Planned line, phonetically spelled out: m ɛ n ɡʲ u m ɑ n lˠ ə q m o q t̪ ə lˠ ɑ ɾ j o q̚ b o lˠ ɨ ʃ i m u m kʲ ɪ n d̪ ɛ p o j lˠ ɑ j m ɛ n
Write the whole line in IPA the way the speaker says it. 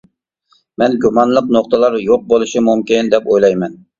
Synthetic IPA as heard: m ɛ n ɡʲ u m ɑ n lˠ ə q n o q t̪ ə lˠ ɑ ɾ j o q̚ b o lˠ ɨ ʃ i m u m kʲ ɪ n d̪ ɛ p o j lˠ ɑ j m ɛ n